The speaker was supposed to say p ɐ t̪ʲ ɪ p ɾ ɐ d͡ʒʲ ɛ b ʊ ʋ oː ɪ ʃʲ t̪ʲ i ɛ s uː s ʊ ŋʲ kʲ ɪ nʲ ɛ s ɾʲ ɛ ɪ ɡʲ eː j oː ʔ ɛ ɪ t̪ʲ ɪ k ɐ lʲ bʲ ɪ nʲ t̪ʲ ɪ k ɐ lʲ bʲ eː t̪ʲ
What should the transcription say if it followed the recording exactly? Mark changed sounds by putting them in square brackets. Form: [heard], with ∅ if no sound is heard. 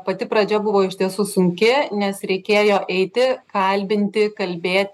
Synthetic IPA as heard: p ɐ t̪ʲ ɪ p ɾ ɐ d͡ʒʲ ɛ b ʊ ʋ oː ɪ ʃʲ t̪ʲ i ɛ s uː s ʊ ŋʲ kʲ ɪ nʲ ɛ s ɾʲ ɛ ɪ [kʲ] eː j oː ʔ ɛ ɪ t̪ʲ ɪ k ɐ lʲ bʲ ɪ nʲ t̪ʲ ɪ k ɐ lʲ bʲ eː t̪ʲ